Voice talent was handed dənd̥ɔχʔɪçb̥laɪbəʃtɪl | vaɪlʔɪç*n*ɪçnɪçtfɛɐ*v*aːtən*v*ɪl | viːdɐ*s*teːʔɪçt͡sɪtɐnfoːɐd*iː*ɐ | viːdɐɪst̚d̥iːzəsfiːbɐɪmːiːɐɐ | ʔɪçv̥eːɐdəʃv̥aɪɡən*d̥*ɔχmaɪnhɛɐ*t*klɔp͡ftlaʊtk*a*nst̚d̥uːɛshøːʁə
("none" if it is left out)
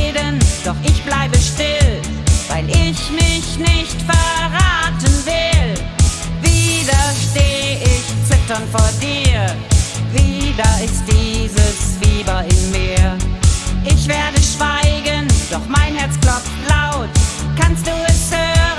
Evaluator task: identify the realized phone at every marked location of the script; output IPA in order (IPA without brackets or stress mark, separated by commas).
m, ʁ, v, ʃ, iː, d̥, t͡s, a